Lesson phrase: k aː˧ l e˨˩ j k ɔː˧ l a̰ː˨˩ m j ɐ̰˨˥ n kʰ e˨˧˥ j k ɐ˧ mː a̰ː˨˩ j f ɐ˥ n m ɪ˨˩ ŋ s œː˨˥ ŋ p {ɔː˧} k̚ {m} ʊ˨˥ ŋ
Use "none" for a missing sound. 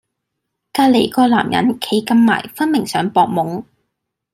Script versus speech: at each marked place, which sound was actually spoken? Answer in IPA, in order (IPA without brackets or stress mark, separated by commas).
ɔː˧, m